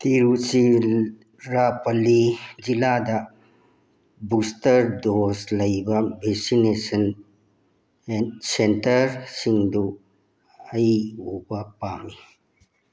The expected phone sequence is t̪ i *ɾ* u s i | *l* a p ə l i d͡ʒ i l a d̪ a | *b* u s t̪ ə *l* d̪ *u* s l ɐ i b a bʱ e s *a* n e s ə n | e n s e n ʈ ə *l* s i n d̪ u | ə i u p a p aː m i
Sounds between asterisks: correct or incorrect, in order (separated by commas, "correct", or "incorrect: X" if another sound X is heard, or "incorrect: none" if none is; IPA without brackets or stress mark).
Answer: correct, incorrect: ɾ, correct, incorrect: ɾ, incorrect: o, incorrect: i, incorrect: ɾ